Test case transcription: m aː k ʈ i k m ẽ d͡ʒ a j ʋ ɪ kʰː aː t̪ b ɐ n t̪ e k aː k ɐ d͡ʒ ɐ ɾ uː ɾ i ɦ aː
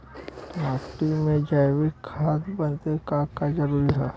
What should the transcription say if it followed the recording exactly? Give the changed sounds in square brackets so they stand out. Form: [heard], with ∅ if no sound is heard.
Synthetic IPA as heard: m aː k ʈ i [∅] m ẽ d͡ʒ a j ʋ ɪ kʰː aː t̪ b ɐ n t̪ e k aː k [a] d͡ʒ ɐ ɾ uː ɾ i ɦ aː